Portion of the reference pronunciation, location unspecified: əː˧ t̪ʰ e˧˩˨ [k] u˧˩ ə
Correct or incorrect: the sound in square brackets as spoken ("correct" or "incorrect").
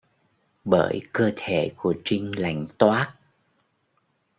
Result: correct